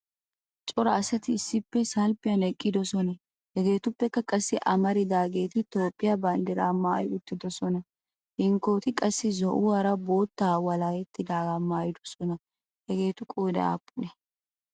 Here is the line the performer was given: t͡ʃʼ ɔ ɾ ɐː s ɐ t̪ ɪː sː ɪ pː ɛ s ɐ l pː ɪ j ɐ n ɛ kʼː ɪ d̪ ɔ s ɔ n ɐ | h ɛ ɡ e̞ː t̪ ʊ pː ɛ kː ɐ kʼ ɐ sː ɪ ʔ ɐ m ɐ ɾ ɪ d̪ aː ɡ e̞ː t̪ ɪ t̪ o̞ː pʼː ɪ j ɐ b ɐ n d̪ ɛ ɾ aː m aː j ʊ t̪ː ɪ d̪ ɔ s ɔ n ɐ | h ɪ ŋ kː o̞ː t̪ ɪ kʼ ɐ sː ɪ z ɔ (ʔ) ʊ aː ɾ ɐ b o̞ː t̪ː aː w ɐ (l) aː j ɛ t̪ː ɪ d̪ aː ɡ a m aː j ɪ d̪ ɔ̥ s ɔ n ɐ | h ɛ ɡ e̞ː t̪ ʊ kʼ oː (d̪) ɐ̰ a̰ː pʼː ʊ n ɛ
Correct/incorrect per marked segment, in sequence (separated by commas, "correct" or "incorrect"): correct, correct, correct